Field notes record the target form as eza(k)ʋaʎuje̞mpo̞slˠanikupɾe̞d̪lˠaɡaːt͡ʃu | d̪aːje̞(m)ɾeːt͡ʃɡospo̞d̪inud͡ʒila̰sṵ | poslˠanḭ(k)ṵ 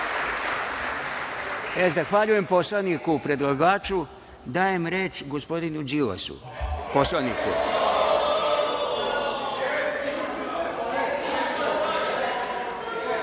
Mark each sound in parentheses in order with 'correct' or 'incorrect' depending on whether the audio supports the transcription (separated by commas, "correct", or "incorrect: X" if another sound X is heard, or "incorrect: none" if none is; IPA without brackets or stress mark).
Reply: incorrect: x, correct, correct